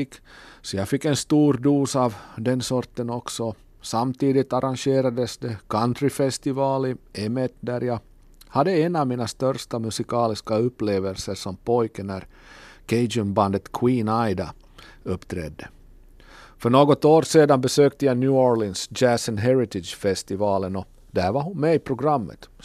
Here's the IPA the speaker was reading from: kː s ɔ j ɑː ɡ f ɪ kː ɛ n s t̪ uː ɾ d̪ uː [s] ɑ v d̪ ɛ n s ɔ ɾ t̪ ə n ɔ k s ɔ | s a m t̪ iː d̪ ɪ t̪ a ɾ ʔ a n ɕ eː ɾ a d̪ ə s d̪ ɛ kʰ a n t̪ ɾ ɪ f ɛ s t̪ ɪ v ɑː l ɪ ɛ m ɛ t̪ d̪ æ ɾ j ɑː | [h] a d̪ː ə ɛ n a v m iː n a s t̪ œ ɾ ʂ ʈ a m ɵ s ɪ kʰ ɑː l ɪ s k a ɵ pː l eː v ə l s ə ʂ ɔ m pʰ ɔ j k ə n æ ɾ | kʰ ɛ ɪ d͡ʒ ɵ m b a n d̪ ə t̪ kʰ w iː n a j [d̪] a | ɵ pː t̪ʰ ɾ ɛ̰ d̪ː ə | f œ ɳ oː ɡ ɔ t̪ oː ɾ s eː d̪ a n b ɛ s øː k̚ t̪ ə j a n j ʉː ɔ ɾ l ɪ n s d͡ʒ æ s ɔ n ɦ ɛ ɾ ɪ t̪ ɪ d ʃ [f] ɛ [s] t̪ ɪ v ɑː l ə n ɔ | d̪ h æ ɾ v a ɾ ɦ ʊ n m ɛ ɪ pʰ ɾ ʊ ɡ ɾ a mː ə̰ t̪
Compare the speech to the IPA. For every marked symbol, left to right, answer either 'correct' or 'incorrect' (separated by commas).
correct, correct, correct, correct, correct